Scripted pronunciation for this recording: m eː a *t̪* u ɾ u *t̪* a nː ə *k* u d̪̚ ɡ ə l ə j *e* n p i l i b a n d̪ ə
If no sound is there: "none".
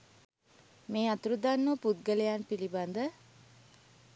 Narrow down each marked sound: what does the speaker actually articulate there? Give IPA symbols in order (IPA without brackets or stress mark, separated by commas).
t̪, d̪, p, a